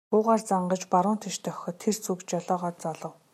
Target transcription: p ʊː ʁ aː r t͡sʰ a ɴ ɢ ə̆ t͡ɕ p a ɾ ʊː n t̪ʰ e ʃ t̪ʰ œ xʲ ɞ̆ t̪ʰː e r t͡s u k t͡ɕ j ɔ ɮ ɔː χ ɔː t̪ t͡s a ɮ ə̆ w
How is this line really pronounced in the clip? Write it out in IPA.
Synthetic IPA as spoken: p ʊː ʁ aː r t͡s a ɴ ɢ ə̆ t͡ɕ p a ɾ ʊː n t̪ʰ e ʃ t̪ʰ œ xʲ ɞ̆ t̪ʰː e r t͡s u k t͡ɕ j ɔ ɮ ɔː ʁ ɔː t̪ t͡s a ɮ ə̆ w